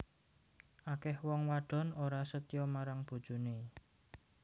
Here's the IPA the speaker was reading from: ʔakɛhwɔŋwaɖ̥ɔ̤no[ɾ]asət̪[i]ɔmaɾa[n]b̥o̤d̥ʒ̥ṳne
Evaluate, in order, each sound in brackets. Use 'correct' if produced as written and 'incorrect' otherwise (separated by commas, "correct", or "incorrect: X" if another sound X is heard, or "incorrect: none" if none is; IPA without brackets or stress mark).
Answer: correct, incorrect: j, incorrect: ŋ